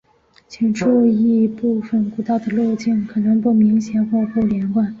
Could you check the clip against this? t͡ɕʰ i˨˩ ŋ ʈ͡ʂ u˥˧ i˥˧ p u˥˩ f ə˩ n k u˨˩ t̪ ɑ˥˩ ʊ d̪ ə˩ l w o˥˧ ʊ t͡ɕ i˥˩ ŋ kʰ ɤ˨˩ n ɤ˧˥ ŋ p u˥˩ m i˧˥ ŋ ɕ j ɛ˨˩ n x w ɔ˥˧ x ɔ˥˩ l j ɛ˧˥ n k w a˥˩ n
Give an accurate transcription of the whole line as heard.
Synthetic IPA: t͡ɕʰ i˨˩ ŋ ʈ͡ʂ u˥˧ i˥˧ p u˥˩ f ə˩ n k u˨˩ t̪ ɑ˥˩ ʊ d̪ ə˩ l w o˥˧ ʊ t͡ɕ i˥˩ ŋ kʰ ɤ˨˩ n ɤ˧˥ ŋ p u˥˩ m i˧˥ ŋ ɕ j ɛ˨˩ n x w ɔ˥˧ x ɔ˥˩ l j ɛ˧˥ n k w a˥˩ n

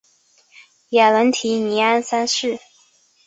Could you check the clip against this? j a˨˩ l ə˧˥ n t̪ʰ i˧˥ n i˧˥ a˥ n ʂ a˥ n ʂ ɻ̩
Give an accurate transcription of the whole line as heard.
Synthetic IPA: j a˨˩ l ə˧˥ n t̪ʰ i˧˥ n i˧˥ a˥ n s a˥ n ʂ ɻ̩

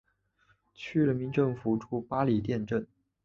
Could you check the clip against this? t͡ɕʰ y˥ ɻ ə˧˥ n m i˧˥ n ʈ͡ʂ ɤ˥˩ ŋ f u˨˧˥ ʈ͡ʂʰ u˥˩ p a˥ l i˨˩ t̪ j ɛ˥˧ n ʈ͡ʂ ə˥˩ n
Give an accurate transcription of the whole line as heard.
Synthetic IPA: t͡ɕʰ y˥ ɻ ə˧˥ n m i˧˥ n ʈ͡ʂ ɤ˥˩ ŋ f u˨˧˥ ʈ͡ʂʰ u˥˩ p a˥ l i˨˩ t̪ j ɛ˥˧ n ʈ͡ʂ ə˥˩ n

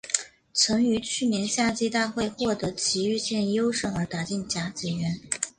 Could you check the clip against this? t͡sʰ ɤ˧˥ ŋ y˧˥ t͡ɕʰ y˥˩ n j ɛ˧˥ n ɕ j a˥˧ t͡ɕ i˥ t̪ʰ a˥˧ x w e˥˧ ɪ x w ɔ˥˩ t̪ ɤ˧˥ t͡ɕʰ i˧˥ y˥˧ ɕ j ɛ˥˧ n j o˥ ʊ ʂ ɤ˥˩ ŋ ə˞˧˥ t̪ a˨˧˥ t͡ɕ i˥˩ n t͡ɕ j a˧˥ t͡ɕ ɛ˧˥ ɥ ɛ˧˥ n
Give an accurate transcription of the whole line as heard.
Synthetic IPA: t͡sʰ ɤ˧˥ ŋ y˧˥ t͡ɕʰ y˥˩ n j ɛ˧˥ n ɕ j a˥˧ t͡ɕ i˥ t̪ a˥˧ x w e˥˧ ɪ x w ɔ˥˩ t̪ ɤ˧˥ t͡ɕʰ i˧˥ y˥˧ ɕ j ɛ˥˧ n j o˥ ʊ ʂ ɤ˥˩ ŋ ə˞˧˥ t̪ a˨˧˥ t͡ɕ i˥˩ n t͡ɕ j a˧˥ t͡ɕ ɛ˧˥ ɥ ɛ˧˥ n

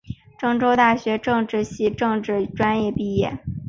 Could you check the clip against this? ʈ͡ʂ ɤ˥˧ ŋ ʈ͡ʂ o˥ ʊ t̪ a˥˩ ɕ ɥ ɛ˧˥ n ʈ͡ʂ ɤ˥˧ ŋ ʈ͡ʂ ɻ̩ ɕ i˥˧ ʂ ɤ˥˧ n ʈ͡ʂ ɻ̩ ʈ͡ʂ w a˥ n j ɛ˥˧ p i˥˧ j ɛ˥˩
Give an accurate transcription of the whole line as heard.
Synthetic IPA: ʈ͡ʂ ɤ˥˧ ŋ ʈ͡ʂ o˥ ʊ t̪ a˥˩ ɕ ɥ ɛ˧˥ ʈ͡ʂ ɤ˥˧ ŋ ʈ͡ʂ ɻ̩ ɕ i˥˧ ʈ͡ʂ ɤ˥˧ ŋ ʈ͡ʂ ɻ̩ ʈ͡ʂ w a˥ n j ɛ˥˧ p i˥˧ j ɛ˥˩

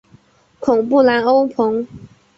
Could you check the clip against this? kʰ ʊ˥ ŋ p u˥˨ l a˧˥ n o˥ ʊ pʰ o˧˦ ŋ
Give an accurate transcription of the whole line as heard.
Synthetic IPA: kʰ ʊ˨˩ ŋ p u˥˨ l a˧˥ n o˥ ʊ pʰ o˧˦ ŋ

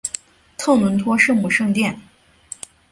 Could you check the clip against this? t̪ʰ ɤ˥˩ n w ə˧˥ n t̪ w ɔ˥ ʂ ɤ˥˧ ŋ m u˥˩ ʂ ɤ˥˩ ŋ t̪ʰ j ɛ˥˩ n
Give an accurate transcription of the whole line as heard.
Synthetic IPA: t̪ʰ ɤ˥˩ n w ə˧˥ n t̪ʰ w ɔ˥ ʂ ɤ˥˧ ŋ m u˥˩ ʂ ɤ˥˧ ŋ t̪ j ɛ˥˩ n

